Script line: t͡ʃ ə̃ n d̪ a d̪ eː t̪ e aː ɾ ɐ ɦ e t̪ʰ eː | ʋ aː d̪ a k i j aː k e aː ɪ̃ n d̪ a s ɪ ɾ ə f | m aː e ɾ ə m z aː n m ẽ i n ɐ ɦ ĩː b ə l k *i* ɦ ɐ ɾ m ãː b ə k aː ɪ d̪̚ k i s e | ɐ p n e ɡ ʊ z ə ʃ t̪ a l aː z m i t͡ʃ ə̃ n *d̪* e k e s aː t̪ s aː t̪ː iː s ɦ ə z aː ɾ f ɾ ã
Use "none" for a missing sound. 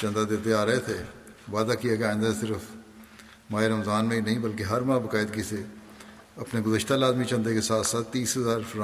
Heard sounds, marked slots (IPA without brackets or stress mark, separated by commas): e, d̪